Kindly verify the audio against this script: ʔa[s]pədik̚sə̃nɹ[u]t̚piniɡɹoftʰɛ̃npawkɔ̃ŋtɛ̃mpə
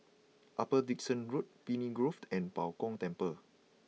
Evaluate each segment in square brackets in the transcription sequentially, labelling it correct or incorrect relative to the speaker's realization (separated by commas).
incorrect, correct